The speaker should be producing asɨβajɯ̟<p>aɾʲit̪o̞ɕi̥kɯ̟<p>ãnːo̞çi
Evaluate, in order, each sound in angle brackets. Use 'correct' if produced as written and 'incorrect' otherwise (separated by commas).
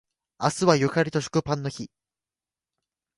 incorrect, correct